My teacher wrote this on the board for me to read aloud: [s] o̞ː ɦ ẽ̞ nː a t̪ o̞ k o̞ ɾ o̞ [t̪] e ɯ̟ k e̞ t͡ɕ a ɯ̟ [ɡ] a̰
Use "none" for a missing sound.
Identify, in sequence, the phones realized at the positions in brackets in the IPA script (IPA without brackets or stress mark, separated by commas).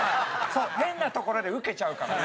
s, d̪, k